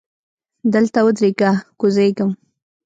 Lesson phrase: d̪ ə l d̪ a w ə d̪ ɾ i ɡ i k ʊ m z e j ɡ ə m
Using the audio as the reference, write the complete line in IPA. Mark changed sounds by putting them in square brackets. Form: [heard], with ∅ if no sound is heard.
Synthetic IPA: d̪ ə l [t̪] a w ə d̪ ɾ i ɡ [a] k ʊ [∅] z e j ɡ ə m